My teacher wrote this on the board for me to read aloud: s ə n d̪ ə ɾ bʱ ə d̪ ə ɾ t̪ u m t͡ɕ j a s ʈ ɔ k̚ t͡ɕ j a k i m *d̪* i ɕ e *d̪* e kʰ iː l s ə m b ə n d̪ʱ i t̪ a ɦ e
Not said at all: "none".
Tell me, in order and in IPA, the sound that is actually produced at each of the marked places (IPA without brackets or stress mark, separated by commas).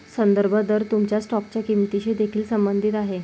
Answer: t̪, d̪